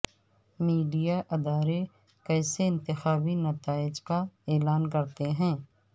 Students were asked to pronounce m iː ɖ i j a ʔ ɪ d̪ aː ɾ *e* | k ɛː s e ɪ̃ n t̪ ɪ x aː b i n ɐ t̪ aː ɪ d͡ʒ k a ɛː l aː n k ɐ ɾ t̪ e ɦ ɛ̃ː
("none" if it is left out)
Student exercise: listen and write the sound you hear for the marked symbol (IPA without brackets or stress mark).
e